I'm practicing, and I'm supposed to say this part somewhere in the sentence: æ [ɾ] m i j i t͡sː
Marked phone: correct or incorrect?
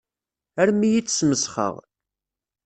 correct